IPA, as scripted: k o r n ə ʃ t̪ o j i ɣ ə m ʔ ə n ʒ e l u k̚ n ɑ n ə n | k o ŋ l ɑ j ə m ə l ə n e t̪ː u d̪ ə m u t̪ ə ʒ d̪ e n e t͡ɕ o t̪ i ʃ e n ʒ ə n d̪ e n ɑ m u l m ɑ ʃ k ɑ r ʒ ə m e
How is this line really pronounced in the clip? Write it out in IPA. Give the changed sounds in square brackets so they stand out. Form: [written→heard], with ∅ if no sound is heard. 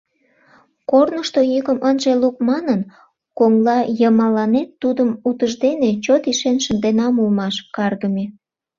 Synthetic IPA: k o r n ə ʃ t̪ o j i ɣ ə m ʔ ə n ʒ e l u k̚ [n→m] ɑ n ə n | k o ŋ l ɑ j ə m [ə→ɑ] l [ə→ɑ] n e t̪ː u d̪ ə m u t̪ ə ʒ d̪ e n e t͡ɕ o t̪ i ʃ e n [ʒ→ʃ] ə n d̪ e n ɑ m u l m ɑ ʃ k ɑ r [ʒ→ɣ] ə m e